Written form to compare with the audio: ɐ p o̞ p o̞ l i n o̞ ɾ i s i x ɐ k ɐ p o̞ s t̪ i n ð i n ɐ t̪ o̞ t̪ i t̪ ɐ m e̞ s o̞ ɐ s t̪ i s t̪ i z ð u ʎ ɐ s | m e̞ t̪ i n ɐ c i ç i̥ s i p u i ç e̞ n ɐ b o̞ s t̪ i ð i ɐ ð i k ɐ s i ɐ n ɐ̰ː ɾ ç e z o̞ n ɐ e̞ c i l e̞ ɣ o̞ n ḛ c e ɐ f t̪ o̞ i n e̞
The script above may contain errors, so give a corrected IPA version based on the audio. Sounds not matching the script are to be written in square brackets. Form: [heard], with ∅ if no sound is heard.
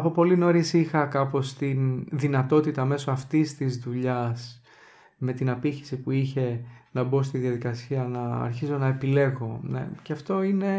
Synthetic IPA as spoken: ɐ p o̞ p o̞ l i n o̞ ɾ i s i x ɐ k ɐ p o̞ s t̪ i n ð i n ɐ t̪ o̞ t̪ i t̪ ɐ m e̞ s o̞ ɐ [f] t̪ i s t̪ i z ð u ʎ ɐ s | m e̞ t̪ i n ɐ [p] i ç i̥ s i p u i ç e̞ n ɐ b o̞ s t̪ i ð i ɐ ð i k ɐ s i ɐ n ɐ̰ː ɾ ç [i] z o̞ n ɐ e̞ [p] i l e̞ ɣ o̞ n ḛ c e ɐ f t̪ o̞ i n e̞